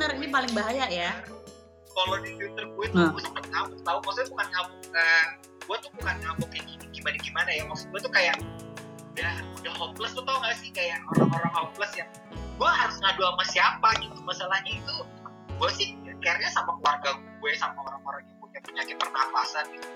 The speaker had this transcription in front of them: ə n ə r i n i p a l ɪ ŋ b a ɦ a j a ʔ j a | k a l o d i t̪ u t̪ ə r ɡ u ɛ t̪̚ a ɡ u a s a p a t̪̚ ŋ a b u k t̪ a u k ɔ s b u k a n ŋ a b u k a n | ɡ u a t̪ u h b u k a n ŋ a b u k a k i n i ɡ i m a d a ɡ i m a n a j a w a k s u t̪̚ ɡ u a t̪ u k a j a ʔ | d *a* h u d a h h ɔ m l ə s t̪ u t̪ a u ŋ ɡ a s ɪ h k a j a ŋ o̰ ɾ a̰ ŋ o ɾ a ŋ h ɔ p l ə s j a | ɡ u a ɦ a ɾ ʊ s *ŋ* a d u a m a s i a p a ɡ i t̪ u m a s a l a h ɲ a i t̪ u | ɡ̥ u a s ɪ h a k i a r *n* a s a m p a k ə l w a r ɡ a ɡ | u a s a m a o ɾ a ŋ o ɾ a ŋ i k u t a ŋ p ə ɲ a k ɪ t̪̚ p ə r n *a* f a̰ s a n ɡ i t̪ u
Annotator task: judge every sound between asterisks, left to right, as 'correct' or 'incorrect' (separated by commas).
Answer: correct, correct, incorrect, correct